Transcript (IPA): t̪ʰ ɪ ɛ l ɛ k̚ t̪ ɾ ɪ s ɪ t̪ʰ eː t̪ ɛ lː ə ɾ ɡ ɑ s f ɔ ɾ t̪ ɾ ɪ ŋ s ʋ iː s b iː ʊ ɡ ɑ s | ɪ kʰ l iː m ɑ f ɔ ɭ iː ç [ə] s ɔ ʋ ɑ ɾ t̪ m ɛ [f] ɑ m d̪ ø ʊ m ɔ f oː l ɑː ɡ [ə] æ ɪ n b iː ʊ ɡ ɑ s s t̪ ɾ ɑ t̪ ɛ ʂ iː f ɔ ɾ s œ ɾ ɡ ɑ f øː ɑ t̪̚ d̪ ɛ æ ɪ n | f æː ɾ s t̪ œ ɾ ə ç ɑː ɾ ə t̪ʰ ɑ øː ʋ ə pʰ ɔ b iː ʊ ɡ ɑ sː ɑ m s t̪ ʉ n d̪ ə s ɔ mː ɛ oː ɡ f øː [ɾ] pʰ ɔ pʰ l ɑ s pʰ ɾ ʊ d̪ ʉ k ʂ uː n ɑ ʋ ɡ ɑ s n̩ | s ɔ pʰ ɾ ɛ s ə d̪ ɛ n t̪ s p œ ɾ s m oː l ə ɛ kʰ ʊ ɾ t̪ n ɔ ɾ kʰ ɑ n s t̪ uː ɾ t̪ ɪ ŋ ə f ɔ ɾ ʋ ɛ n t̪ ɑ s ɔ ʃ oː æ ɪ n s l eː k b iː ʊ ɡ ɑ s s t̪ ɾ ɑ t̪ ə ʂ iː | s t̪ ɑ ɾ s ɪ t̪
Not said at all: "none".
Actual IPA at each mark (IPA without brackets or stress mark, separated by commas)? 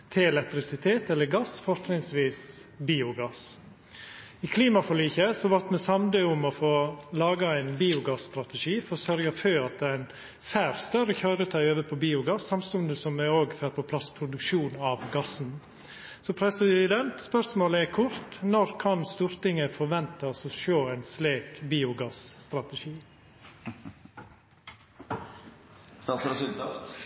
ə, s, ɑ, ɾ